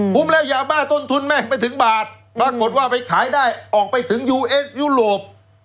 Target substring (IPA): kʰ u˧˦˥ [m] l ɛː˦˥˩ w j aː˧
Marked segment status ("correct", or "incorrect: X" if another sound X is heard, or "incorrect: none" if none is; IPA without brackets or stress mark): correct